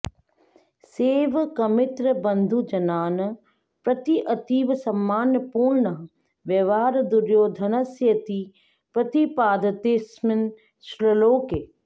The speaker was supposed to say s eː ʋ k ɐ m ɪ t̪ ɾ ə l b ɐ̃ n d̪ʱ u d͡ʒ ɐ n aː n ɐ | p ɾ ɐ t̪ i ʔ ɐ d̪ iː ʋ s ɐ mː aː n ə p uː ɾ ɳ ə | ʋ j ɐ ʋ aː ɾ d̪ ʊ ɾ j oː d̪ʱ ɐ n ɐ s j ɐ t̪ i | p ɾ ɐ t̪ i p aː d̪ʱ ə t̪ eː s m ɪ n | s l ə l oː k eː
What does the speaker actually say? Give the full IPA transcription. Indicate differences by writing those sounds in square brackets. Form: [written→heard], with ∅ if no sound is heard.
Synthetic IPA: s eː ʋ k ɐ m ɪ t̪ ɾ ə [l→∅] b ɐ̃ n d̪ʱ u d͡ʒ ɐ n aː n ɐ | p ɾ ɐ t̪ i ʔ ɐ [d̪→t̪] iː ʋ s ɐ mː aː n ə p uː ɾ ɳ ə | ʋ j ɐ ʋ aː ɾ d̪ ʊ ɾ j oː d̪ʱ ɐ n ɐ s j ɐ t̪ i | p ɾ ɐ t̪ i p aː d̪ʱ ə t̪ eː s m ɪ n | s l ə l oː k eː